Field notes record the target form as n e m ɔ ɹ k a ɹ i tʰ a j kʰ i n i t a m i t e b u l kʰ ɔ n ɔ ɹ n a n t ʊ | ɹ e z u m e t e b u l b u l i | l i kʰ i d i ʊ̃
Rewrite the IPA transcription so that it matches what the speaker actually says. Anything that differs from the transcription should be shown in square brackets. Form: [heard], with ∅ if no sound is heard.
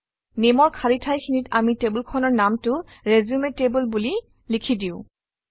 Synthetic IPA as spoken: n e m ɔ ɹ [kʰ] a ɹ i tʰ a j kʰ i n i t a m i t e b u l kʰ ɔ n ɔ ɹ n a [m] t ʊ | ɹ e z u m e t e b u l b u l i | l i kʰ i d i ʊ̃